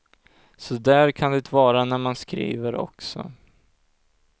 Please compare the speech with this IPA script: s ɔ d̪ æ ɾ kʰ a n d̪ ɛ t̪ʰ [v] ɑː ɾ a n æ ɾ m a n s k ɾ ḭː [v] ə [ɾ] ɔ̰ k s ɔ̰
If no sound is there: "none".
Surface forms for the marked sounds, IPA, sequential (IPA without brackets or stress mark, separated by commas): v, v, ɾ